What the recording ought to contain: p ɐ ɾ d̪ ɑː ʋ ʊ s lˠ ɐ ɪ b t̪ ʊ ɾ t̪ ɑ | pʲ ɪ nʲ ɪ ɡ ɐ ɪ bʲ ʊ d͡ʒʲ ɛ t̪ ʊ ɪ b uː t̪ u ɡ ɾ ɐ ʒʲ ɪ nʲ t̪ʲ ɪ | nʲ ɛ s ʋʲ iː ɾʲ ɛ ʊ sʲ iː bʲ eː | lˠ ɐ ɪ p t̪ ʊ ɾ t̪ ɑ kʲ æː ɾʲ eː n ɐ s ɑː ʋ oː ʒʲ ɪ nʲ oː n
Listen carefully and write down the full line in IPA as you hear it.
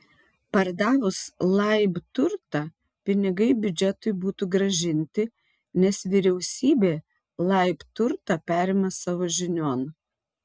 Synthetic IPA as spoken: p ɐ ɾ d̪ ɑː ʋ ʊ s lˠ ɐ ɪ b t̪ ʊ ɾ t̪ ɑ | pʲ ɪ nʲ ɪ ɡ ɐ ɪ bʲ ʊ d͡ʒʲ ɛ t̪ ʊ ɪ b uː t̪ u ɡ ɾ ɐ ʒʲ ɪ nʲ t̪ʲ ɪ | nʲ ɛ s ʋʲ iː ɾʲ ɛ ʊ sʲ iː bʲ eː | lˠ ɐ ɪ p t̪ ʊ ɾ t̪ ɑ pʲ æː ɾʲ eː m ɐ s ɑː ʋ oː ʒʲ ɪ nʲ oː n

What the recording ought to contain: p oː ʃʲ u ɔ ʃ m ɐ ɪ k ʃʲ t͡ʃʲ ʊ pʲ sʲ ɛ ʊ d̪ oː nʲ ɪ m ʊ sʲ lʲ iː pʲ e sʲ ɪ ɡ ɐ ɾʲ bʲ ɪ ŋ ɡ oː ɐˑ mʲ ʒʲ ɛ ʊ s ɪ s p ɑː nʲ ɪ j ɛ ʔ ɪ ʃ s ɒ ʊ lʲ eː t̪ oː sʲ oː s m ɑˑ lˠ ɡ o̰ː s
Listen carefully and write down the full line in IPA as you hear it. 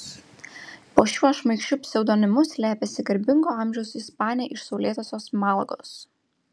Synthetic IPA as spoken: p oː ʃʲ u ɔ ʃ m ɐ ɪ k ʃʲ t͡ʃʲ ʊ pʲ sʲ ɛ ʊ d̪ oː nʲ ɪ m ʊ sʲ lʲ æː pʲ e sʲ ɪ ɡ ɐ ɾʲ bʲ ɪ ŋ ɡ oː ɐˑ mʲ ʒʲ ɛ ʊ s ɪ s p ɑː nʲ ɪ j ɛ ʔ ɪ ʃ s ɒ ʊ lʲ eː t̪ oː sʲ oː s m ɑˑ lˠ ɡ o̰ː s

